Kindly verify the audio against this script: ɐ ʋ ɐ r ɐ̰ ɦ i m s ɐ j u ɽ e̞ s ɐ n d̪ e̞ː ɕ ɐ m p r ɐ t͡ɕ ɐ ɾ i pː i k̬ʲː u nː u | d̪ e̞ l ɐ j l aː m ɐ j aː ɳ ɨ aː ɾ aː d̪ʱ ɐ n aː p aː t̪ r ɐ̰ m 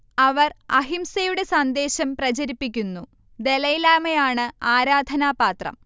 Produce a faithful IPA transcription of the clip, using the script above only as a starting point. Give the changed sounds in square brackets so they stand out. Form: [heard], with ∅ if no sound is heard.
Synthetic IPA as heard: ɐ ʋ ɐ r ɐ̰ ɦ i m s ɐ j u ɽ e̞ s ɐ n d̪ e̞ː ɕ ɐ m p r ɐ t͡ɕ ɐ ɾ i pː i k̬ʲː u nː u | d̪ e̞ l ɐ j l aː m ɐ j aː ɳ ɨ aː ɾ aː d̪ʱ ɐ n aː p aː t̪ r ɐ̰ m

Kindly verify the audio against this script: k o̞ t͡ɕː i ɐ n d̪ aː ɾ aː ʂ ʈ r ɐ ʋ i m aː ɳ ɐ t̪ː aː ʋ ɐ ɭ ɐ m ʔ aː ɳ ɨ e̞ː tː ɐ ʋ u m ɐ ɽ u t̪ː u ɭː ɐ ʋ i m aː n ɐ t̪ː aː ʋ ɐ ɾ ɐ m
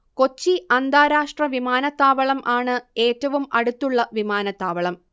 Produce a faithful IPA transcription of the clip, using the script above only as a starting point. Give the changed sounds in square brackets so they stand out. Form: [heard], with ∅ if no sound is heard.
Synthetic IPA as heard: k o̞ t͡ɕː i ɐ n d̪ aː ɾ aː ʂ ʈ r ɐ ʋ i m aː [n] ɐ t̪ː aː ʋ ɐ ɭ ɐ m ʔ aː ɳ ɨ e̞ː tː ɐ ʋ u m ɐ ɽ u t̪ː u ɭː ɐ ʋ i m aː n ɐ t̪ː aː ʋ ɐ [ɭ] ɐ m

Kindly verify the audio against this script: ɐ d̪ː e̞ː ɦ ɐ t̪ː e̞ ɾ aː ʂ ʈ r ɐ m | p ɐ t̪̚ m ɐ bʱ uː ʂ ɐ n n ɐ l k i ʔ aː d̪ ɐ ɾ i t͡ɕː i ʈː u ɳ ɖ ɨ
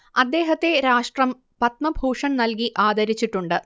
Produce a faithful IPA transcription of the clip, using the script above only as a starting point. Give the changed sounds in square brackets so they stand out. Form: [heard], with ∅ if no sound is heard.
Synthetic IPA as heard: ɐ d̪ː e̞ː ɦ ɐ t̪ː e̞ ɾ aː ʂ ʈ r ɐ m | p ɐ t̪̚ m ɐ bʱ uː ʂ ɐ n n ɐ l k i ʔ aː d̪ ɐ ɾ i t͡ɕː i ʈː u ɳ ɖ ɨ

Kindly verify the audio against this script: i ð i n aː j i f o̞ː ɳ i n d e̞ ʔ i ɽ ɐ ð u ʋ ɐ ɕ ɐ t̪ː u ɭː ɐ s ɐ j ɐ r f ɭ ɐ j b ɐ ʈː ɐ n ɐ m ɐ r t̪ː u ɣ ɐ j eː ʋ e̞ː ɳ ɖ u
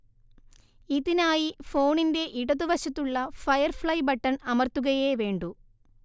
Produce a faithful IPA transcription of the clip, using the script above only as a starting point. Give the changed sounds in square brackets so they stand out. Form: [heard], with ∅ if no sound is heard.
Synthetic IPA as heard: i ð i n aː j i f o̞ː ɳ i n d e̞ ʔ i ɽ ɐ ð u ʋ ɐ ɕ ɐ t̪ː u ɭː ɐ [f] ɐ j ɐ r f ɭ ɐ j b ɐ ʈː ɐ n ɐ m ɐ r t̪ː u ɣ ɐ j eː ʋ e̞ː ɳ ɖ u

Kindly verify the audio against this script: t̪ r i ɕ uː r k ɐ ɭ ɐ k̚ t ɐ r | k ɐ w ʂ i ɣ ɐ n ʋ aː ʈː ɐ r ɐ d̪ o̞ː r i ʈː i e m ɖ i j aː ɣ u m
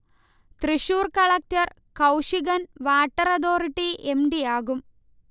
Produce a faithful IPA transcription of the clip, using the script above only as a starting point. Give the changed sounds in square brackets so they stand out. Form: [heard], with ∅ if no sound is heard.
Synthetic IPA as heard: t̪ r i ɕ uː r k ɐ ɭ ɐ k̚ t ɐ r | k ɐ w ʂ i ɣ ɐ n ʋ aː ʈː ɐ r ɐ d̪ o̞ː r i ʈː i e m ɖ i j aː ɣ u m

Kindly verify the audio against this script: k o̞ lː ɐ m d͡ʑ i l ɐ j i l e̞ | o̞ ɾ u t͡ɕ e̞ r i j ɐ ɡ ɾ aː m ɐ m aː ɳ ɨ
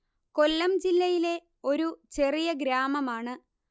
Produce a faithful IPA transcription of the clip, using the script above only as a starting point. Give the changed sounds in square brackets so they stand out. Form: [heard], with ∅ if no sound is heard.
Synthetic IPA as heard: k o̞ lː ɐ m d͡ʑ i [lː] ɐ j i l e̞ | o̞ ɾ u t͡ɕ e̞ r i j ɐ ɡ ɾ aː m ɐ m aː ɳ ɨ

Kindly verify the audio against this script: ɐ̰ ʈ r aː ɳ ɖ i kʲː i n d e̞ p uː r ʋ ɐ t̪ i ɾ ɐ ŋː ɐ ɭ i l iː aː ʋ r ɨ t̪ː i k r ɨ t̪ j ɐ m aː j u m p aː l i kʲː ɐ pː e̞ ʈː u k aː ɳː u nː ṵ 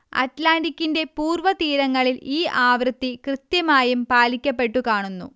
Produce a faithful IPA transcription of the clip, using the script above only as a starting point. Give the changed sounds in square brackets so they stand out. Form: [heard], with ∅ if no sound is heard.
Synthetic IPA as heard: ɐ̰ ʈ [l] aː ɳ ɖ i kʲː i n d e̞ p uː r ʋ ɐ t̪ [iː] ɾ ɐ ŋː ɐ ɭ i l iː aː ʋ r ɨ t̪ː i k r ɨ t̪ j ɐ m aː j u m p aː l i kʲː ɐ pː e̞ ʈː u k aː [ɳ] u nː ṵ

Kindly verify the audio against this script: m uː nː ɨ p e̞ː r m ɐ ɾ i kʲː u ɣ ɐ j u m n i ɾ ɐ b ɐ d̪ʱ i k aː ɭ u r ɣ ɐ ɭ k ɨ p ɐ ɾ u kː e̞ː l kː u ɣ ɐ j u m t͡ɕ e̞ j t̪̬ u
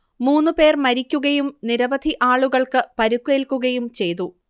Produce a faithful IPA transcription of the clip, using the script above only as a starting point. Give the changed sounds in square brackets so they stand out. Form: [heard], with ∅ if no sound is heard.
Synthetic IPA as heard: m uː nː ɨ p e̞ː r m ɐ ɾ i kʲː u ɣ ɐ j u m n i ɾ ɐ b ɐ d̪ʱ i [ʔ] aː ɭ u [∅] ɣ ɐ ɭ k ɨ p ɐ ɾ u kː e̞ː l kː u ɣ ɐ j u m t͡ɕ e̞ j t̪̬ u

